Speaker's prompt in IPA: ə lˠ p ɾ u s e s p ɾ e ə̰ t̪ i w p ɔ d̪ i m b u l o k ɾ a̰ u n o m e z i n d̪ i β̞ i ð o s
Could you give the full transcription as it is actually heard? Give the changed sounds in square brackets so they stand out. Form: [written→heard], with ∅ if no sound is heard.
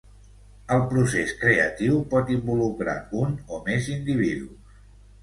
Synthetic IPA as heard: ə lˠ p ɾ u s e s [p→k] ɾ e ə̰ t̪ i w p ɔ [d̪→t̪] i m b u l [o→u] k ɾ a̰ u n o m e z i n d̪ i β̞ i ð [o→u] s

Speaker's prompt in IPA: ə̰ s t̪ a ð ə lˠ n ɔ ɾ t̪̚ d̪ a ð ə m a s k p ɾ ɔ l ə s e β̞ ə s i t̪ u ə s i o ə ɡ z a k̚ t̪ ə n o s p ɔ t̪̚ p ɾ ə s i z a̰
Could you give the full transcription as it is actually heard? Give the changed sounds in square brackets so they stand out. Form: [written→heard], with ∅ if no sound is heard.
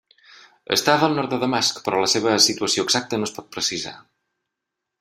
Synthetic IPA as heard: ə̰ s t̪ a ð ə lˠ n ɔ ɾ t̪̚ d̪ [a→ə] ð ə m a s k p ɾ ɔ l ə s e β̞ ə s i t̪ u ə s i o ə ɡ z a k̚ t̪ ə n o s p ɔ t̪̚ p ɾ ə s i z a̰

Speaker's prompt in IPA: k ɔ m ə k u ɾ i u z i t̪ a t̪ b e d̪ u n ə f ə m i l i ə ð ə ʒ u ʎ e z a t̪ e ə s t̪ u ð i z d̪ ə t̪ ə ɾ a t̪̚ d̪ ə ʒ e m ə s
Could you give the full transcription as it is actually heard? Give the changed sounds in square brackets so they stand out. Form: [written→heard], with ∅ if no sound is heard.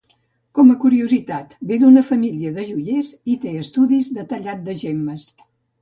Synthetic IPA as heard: k ɔ m ə k u ɾ i u z i t̪ a t̪ b e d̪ u n ə f ə m i l i ə ð ə ʒ u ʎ e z [a→i] t̪ e ə s t̪ u ð i z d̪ ə t̪ ə [ɾ→ʎ] a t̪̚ d̪ ə ʒ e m ə s

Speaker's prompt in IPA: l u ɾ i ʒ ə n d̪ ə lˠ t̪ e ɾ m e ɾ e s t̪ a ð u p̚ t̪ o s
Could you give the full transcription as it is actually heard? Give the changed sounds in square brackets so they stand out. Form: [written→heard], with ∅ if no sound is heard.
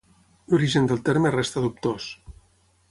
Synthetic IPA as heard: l u ɾ i ʒ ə n d̪ ə lˠ t̪ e ɾ m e [ɾ→r] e s t̪ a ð u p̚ t̪ o s

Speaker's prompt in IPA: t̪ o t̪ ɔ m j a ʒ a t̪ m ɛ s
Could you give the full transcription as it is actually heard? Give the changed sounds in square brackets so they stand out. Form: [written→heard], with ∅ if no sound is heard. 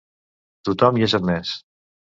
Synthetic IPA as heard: t̪ [o→u] t̪ ɔ m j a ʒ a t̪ m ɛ s

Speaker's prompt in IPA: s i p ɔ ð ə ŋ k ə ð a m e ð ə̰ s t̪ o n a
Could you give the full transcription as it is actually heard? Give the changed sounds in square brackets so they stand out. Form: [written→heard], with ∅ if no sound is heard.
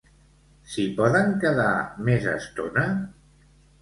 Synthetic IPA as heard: s i p ɔ ð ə ŋ k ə ð a m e [ð→z] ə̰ s t̪ o n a

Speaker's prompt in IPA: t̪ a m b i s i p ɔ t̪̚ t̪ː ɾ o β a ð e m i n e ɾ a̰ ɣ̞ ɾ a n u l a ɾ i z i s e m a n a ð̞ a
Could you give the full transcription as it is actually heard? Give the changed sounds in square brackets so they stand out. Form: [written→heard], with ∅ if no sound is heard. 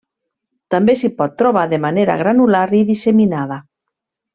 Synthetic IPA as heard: t̪ a m b [i→e] s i p ɔ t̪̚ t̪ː ɾ o β a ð e m [i→a] n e ɾ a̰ ɣ̞ ɾ a n u l a ɾ i [z→ð] i s e m [a→i] n a ð̞ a

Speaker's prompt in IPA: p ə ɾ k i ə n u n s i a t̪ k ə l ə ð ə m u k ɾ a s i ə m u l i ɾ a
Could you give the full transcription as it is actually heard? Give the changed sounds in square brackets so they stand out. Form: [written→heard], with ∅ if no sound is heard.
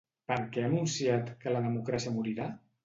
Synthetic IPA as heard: p ə ɾ k [i→ɛ] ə n u n s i a t̪ k ə l ə ð ə m u k ɾ a s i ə m u [l→ɾ] i ɾ a

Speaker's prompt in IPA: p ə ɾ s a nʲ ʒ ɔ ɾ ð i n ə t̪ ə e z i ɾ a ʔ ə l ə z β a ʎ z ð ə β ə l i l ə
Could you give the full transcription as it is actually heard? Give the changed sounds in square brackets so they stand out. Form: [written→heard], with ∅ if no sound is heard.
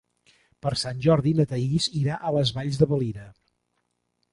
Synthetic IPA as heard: p ə ɾ s a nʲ ʒ ɔ ɾ ð i n ə t̪ ə [e→i] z i ɾ a ʔ ə l ə z β a ʎ z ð ə β ə l i [l→ɾ] ə

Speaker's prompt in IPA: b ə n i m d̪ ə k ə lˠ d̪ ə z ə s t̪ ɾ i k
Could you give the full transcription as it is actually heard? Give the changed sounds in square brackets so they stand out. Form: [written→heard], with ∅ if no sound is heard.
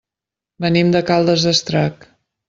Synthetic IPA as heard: b ə n i m d̪ ə k [ə→a] lˠ d̪ ə z ə s t̪ ɾ [i→a] k

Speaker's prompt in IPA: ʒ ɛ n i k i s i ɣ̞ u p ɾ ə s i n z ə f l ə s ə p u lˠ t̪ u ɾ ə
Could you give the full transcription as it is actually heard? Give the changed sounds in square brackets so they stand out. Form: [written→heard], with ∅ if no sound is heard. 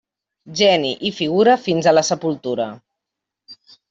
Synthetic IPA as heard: ʒ ɛ n i [k→ʔ] i [s→f] i ɣ̞ u [p→∅] ɾ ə [s→f] i n z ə [f→∅] l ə s ə p u lˠ t̪ u ɾ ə

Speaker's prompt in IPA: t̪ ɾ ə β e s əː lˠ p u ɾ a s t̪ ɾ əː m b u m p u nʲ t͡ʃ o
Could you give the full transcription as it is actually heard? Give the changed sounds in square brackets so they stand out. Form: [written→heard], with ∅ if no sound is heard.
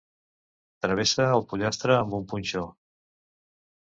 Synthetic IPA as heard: t̪ ɾ ə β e s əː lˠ p u [ɾ→ʎ] a s t̪ ɾ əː m b u m p u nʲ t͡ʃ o

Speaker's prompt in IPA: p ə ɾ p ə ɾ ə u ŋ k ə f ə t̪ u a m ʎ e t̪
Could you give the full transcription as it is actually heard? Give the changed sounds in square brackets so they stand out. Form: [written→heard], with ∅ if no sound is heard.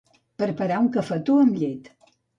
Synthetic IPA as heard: p ə ɾ p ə ɾ [ə→a] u ŋ k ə f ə t̪ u [a→ə] m ʎ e t̪

